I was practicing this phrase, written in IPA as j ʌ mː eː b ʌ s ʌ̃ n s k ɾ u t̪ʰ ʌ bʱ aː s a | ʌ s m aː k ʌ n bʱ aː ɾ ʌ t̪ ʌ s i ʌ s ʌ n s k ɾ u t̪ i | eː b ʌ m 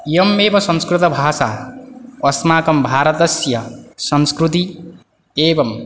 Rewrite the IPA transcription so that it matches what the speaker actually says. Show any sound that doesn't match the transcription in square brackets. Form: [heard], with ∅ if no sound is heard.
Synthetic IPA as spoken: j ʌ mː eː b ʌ s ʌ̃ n s k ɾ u [t̪] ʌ bʱ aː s a | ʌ s m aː k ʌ [m] bʱ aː ɾ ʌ t̪ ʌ s [j] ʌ s ʌ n s k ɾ u t̪ i | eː b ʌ m

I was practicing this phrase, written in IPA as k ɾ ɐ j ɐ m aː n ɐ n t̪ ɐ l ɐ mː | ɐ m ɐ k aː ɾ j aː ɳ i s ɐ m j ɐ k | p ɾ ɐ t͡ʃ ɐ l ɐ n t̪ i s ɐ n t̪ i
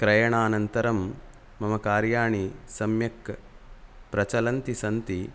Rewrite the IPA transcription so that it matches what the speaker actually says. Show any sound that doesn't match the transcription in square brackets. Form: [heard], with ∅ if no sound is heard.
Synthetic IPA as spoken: k ɾ ɐ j ɐ [ɳ] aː n ɐ n t̪ ɐ [ɾ] ɐ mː | ɐ m ɐ k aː ɾ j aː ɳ i s ɐ m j ɐ k | p ɾ ɐ t͡ʃ ɐ l ɐ n t̪ i s ɐ n t̪ i

